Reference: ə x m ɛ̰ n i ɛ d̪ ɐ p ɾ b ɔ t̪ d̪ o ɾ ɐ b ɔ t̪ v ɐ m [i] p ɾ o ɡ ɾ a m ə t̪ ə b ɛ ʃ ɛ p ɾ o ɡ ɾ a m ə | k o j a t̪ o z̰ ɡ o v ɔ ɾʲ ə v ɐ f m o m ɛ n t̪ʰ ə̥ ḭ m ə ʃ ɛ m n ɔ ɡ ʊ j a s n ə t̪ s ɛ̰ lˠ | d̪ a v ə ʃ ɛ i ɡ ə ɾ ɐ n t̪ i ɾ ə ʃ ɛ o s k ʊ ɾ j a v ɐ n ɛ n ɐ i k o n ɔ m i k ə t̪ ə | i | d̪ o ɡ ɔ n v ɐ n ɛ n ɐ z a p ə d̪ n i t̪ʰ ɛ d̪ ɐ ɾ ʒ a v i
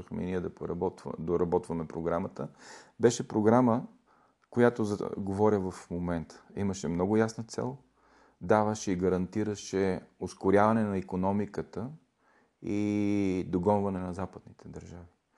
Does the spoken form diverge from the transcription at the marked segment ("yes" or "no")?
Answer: yes